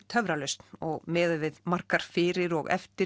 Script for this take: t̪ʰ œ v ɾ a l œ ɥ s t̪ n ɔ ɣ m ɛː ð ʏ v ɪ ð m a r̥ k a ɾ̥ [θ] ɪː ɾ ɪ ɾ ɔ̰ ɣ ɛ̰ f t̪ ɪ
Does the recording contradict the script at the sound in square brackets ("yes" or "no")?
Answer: yes